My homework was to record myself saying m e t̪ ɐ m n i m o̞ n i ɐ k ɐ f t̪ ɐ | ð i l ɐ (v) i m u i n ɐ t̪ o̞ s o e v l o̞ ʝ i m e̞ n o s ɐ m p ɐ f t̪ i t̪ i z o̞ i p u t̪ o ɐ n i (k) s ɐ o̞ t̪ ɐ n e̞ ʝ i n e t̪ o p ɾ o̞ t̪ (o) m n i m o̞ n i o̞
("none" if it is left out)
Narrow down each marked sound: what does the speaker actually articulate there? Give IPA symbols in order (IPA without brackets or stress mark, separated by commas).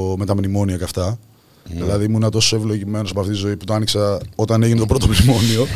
ð, k, o